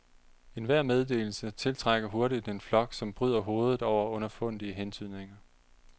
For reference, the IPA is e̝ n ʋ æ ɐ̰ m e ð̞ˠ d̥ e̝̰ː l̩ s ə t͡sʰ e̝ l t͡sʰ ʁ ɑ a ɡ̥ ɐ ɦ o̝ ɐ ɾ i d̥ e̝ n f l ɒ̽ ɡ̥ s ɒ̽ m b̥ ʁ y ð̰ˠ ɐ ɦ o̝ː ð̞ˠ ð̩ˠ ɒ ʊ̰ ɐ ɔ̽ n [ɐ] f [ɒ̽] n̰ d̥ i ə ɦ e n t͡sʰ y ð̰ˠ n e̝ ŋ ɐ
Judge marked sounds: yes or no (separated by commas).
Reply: yes, no